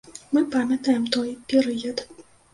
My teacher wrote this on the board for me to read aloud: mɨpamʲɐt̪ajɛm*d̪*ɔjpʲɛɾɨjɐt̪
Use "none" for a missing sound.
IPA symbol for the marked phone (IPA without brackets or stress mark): t̪